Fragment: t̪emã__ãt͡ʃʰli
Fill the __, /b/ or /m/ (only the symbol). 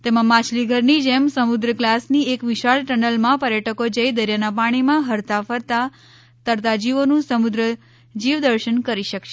m